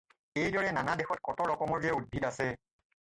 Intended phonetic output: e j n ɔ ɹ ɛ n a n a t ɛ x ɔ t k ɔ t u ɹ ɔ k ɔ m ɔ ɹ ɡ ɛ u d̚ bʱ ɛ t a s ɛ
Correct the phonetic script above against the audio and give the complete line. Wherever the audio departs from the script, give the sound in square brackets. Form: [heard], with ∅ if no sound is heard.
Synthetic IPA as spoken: e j [d] ɔ ɹ ɛ n a n a [d] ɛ x ɔ t k ɔ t [ɔ] ɹ ɔ k ɔ m ɔ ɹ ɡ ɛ u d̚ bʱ [i] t a s ɛ